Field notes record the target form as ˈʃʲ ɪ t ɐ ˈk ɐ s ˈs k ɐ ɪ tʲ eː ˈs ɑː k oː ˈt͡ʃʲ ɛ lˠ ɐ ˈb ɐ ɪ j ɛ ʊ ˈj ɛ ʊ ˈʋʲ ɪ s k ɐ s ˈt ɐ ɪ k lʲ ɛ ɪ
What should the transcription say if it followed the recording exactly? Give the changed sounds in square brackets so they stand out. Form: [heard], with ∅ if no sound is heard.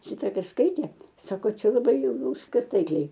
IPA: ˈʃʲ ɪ t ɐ ˈk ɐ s ˈs k ɐ ɪ tʲ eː ˈs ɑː k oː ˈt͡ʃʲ ɛ lˠ ɐ ˈb ɐ ɪ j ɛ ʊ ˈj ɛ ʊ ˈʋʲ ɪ s k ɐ s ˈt ɐ ɪ k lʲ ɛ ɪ

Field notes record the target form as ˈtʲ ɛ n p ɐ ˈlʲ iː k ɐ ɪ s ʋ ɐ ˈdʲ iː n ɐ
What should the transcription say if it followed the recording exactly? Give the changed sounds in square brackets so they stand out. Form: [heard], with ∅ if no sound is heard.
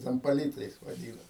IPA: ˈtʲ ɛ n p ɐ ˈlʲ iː [t] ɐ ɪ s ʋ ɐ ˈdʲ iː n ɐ

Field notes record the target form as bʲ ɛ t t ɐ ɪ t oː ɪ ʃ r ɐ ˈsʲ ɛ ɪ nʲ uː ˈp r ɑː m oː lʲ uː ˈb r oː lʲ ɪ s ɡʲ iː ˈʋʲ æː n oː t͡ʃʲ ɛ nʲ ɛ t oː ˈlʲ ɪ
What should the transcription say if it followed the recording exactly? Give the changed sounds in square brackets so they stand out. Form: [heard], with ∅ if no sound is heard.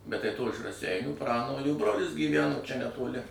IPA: bʲ ɛ t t ɐ ɪ t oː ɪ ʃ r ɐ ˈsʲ ɛ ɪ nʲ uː ˈp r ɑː [n] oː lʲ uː ˈb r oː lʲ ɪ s ɡʲ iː ˈʋʲ æː n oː t͡ʃʲ ɛ nʲ ɛ t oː ˈlʲ ɪ

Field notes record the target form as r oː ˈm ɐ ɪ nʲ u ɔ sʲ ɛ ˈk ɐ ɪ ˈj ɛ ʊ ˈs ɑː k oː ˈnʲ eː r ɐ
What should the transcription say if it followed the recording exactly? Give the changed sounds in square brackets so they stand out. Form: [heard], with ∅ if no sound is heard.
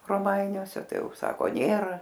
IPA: r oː ˈm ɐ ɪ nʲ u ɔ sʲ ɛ [ˈt] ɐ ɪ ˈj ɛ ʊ ˈs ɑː k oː ˈnʲ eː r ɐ

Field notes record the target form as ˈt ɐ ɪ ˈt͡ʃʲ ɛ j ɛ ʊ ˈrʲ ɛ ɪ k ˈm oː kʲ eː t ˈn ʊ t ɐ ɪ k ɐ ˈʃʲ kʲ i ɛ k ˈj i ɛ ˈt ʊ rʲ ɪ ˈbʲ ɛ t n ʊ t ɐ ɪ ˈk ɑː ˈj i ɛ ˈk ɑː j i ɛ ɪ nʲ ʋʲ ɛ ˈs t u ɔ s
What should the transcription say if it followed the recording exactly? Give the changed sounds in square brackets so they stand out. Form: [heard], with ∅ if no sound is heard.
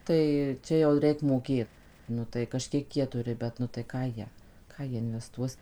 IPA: ˈt ɐ ɪ ˈt͡ʃʲ ɛ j ɛ ʊ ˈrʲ ɛ ɪ k ˈm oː kʲ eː t ˈn ʊ t ɐ ɪ k ɐ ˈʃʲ kʲ i ɛ k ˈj i ɛ ˈt ʊ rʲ ɪ ˈbʲ ɛ t n ʊ t ɐ ɪ ˈk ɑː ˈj i ɛ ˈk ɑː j i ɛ ɪ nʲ ʋʲ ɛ ˈs t u ɔ s

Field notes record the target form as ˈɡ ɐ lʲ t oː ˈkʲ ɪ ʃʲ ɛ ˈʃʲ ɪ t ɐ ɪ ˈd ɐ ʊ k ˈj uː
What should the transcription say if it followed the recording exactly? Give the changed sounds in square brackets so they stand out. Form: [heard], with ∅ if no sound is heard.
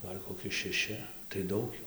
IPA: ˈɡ ɐ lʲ [k] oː ˈkʲ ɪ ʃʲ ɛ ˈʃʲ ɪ t ɐ ɪ ˈd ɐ ʊ k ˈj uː

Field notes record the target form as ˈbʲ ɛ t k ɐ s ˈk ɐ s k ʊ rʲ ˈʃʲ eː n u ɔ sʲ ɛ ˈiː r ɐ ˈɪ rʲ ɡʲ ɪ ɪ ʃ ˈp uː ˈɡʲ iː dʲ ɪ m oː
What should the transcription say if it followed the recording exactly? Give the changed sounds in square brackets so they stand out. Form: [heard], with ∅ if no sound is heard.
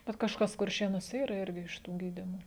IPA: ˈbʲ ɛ t k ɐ [ʃ] ˈk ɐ s k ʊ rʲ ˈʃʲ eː n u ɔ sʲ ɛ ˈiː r ɐ ˈɪ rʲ ɡʲ ɪ ɪ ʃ [ˈt] uː ˈɡʲ iː dʲ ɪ m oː

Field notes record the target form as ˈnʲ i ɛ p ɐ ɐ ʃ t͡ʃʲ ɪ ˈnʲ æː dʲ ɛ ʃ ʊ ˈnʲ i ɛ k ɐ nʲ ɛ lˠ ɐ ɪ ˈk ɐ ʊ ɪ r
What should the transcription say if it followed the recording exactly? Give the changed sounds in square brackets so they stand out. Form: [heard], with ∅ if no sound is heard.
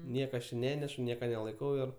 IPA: ˈnʲ i ɛ [k] ɐ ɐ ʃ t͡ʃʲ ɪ ˈnʲ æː [nʲ] ɛ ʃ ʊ ˈnʲ i ɛ k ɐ nʲ ɛ lˠ ɐ ɪ ˈk ɐ ʊ ɪ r

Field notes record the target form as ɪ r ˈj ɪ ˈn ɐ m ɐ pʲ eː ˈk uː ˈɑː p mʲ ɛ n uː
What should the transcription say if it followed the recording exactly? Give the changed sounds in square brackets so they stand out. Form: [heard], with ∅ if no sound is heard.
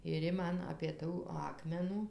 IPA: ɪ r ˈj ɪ [ˈm] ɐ [n] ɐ pʲ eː [ˈt] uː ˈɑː [k] mʲ ɛ n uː

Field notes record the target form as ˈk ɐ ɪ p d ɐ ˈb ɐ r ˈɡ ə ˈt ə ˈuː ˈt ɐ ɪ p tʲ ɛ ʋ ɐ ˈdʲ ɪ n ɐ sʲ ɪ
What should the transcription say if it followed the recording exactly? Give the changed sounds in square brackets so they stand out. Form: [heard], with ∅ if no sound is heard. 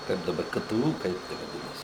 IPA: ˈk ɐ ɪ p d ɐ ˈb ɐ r [ˈk] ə ˈt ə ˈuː [ˈk] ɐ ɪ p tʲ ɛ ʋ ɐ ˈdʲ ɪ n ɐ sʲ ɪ

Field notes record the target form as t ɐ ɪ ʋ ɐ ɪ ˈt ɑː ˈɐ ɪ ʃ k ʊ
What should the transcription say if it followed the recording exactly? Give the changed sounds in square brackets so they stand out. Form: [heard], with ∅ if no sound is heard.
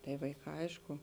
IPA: t ɐ ɪ ʋ ɐ ɪ [ˈk] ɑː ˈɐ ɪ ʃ k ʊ

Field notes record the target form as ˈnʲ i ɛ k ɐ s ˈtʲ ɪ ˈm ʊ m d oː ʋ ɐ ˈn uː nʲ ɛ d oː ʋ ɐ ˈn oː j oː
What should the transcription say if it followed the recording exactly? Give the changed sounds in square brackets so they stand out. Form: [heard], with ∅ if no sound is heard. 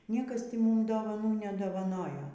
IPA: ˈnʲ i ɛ k ɐ s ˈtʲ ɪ ˈm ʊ m d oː ʋ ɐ ˈn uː nʲ ɛ d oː ʋ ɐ ˈn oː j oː

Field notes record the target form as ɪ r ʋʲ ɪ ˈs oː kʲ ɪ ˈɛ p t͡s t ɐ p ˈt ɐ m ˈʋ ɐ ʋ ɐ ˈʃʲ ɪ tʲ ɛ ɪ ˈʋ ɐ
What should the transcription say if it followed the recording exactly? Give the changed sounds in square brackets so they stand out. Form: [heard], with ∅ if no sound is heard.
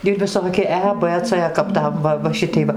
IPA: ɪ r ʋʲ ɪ ˈs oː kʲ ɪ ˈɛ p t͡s [k] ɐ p ˈt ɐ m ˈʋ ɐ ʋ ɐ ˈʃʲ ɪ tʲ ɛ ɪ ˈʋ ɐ

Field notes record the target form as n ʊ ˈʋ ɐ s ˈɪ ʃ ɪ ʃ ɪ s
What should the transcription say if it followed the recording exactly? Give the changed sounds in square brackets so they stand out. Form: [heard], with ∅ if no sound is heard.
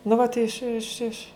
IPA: n ʊ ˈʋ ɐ [t] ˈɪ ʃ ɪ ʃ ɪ [ʃ]

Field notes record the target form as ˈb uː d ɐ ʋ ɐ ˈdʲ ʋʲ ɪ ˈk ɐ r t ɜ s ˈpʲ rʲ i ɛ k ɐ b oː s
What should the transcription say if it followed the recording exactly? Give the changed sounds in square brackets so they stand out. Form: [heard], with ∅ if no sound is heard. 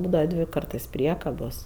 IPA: ˈb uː d ɐ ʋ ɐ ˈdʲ ʋʲ ɪ ˈk ɐ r t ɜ s ˈpʲ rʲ i ɛ k ɐ b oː s

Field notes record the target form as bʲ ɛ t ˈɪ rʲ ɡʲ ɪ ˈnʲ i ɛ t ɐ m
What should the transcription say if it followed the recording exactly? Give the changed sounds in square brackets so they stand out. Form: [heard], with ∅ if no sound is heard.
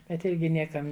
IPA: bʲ ɛ t ˈɪ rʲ ɡʲ ɪ ˈnʲ i ɛ [k] ɐ m

